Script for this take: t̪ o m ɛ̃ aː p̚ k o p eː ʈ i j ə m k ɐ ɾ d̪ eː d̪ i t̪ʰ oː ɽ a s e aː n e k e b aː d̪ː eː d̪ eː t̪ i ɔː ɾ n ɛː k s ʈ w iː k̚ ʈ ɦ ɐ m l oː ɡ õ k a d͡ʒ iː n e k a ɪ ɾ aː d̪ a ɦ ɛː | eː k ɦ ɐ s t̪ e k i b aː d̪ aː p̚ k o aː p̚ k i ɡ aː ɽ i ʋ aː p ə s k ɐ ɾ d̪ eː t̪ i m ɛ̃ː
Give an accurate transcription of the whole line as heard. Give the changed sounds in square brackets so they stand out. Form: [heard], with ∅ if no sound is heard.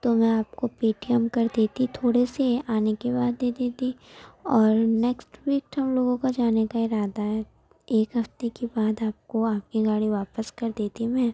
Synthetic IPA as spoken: t̪ o m ɛ̃ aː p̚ k o p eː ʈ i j ə m k ɐ ɾ d̪ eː [t̪] i t̪ʰ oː ɽ [e] s e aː n e k e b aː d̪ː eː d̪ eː t̪ i ɔː ɾ n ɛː k s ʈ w iː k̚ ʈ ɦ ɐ m l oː ɡ õ k a d͡ʒ [aː] n e k a ɪ ɾ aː d̪ a ɦ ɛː | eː k ɦ ɐ [f] t̪ e k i b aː d̪ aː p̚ k o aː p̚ k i ɡ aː ɽ i ʋ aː p ə s k ɐ ɾ d̪ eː t̪ i m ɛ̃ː

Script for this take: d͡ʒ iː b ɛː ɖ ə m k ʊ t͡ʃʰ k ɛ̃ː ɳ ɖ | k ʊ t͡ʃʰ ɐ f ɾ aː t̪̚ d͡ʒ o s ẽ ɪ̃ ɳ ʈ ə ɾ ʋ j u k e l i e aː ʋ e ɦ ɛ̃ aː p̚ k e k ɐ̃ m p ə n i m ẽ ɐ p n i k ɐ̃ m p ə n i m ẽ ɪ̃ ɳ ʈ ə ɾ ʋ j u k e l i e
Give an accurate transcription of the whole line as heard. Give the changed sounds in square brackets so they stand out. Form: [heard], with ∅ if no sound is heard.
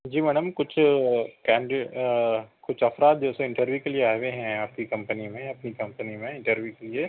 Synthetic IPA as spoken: d͡ʒ iː [m] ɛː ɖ ə m k ʊ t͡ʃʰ k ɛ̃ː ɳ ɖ | k ʊ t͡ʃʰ ɐ f ɾ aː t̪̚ d͡ʒ o s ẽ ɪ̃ ɳ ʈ ə ɾ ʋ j u k e l i e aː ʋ e ɦ ɛ̃ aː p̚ k [i] k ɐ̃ m p ə n i m ẽ ɐ p n i k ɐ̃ m p ə n i m ẽ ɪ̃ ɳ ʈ ə ɾ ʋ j u k e l i e

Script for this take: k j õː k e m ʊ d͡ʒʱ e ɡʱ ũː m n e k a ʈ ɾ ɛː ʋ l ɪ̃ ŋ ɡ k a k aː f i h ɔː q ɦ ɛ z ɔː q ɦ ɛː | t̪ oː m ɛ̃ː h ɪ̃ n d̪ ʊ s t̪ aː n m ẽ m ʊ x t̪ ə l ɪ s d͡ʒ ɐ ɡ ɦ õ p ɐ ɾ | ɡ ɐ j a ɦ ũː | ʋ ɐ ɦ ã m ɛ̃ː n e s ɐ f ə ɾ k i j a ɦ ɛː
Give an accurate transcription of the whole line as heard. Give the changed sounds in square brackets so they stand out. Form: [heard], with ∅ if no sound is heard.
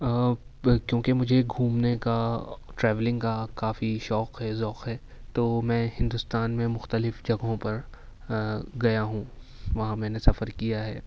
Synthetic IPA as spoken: k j õː k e m ʊ d͡ʒʱ e ɡʱ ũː m n e k a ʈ ɾ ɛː ʋ l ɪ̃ ŋ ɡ k a k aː f i [ʃ] ɔː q ɦ ɛ z ɔː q ɦ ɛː | t̪ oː m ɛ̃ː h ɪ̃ n d̪ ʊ s t̪ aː n m ẽ m ʊ x t̪ ə l ɪ [f] d͡ʒ ɐ ɡ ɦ õ p ɐ ɾ | ɡ ɐ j a ɦ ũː | ʋ ɐ ɦ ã m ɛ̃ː n e s ɐ f ə ɾ k i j a ɦ ɛː

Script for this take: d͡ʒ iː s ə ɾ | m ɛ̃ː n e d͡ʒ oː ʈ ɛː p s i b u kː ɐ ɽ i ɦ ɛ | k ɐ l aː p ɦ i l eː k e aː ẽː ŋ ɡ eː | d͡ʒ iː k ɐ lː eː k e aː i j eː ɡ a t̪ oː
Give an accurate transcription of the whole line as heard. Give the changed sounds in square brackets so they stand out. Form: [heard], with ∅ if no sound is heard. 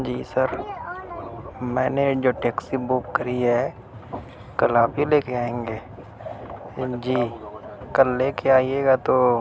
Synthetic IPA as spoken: d͡ʒ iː s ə ɾ | m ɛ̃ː n e d͡ʒ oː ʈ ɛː [k] s i b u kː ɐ [ɾ] i ɦ ɛ | k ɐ l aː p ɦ i l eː k e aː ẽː ŋ ɡ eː | d͡ʒ iː k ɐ lː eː k e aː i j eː ɡ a t̪ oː

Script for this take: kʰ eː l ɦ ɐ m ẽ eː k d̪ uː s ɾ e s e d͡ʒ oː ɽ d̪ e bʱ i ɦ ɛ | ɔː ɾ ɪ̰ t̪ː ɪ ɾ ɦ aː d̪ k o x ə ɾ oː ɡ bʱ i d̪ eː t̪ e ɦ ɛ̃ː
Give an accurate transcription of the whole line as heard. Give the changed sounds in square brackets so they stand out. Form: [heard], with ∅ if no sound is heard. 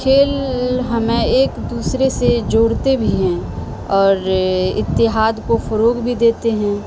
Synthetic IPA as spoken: kʰ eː l ɦ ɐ m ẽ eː k d̪ uː s ɾ e s e d͡ʒ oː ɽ [t̪] e bʱ i ɦ [ɛ̃] | ɔː ɾ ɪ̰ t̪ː ɪ [∅] ɦ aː d̪ k o [f] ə ɾ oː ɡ bʱ i d̪ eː t̪ e ɦ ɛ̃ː

